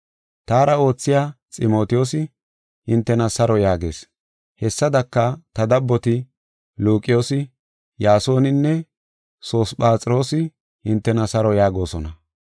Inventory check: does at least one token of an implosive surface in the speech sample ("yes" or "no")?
no